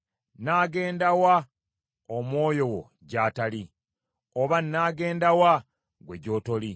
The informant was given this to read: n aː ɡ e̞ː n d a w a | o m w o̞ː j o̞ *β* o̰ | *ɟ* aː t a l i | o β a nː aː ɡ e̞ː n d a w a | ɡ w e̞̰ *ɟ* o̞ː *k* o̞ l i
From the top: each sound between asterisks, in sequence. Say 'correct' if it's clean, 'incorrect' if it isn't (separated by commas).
incorrect, correct, correct, incorrect